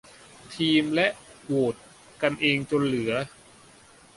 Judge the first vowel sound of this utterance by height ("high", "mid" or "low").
high